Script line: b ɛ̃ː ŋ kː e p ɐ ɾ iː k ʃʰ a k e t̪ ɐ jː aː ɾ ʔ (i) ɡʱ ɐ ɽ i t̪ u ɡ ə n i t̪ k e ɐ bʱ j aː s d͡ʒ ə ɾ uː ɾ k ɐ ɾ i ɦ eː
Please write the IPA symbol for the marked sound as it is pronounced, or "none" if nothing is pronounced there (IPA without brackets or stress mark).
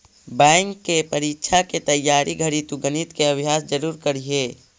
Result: i